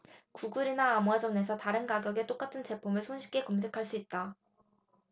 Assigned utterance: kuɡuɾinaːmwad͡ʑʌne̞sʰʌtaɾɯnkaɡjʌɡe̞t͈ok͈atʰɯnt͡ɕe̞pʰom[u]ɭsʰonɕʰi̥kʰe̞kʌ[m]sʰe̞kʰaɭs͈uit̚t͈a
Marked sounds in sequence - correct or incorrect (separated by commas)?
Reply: incorrect, correct